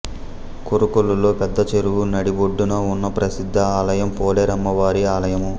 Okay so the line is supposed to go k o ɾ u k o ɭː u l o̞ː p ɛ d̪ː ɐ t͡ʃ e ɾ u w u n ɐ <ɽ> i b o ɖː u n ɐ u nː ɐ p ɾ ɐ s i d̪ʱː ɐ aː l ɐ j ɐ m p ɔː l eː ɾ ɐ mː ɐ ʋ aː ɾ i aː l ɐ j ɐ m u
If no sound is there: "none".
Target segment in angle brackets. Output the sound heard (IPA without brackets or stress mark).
ɽ